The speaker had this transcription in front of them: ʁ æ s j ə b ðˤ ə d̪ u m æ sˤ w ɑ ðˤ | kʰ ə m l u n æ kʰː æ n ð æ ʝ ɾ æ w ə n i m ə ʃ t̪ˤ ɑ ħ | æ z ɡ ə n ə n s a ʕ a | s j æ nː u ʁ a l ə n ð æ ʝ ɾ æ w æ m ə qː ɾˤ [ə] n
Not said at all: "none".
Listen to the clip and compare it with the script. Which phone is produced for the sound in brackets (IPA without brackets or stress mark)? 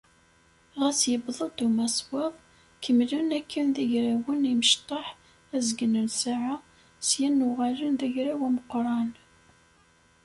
ɑ